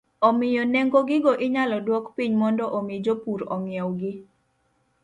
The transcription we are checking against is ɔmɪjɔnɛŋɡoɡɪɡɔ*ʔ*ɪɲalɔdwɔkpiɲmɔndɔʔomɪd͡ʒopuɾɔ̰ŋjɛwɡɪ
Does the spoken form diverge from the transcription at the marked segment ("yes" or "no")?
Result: no